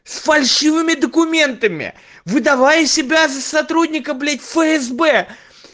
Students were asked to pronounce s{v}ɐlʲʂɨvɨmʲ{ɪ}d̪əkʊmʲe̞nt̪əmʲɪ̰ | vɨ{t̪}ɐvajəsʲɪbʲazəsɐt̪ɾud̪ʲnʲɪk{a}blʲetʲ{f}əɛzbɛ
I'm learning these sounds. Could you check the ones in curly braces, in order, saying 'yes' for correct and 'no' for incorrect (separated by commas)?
no, yes, no, no, yes